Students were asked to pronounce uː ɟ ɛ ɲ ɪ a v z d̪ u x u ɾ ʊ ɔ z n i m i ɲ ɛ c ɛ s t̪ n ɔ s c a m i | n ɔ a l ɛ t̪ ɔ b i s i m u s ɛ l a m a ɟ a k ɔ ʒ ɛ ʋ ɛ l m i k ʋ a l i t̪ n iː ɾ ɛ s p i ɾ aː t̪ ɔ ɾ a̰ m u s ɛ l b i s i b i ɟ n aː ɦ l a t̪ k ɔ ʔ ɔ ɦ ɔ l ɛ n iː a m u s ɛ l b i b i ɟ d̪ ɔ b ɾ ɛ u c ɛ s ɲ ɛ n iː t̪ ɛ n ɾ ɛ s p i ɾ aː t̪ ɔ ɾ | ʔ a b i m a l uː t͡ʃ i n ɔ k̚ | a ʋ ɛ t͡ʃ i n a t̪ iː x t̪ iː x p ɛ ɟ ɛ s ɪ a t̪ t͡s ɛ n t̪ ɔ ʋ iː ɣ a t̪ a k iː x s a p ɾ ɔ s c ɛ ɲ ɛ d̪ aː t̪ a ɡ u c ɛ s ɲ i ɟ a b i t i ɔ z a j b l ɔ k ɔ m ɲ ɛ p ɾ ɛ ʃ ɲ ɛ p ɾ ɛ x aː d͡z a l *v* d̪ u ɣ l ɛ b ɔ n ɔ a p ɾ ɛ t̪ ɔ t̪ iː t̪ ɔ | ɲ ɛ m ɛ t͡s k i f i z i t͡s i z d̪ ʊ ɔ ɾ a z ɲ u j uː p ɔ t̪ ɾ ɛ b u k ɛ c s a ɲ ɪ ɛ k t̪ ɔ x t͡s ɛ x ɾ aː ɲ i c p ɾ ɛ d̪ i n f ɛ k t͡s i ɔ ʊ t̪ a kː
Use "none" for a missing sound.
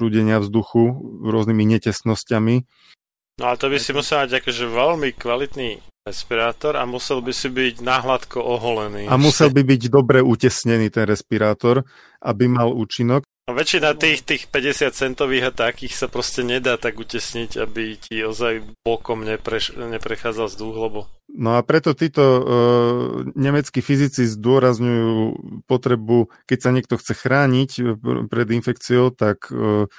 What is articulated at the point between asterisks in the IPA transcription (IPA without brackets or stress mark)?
z